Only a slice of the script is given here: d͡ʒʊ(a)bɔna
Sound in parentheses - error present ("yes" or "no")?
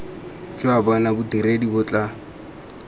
no